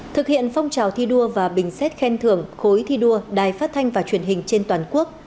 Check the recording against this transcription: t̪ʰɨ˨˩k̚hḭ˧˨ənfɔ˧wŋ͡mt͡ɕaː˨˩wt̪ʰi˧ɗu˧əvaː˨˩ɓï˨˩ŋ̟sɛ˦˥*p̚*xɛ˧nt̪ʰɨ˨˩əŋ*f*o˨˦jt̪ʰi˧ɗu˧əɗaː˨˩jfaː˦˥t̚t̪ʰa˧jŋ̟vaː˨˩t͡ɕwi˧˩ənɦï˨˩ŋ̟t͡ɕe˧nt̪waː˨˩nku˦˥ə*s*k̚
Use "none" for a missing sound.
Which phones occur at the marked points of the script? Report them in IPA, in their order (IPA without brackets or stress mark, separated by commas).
t̚, x, none